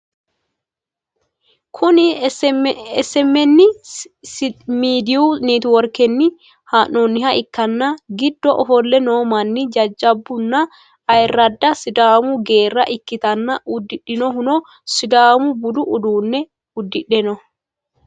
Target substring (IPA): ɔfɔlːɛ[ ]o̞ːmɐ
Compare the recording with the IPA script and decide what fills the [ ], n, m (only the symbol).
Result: n